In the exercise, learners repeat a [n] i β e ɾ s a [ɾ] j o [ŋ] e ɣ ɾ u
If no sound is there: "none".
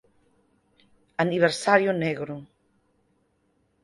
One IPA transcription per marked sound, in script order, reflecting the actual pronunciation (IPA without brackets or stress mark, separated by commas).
n, ɾ, n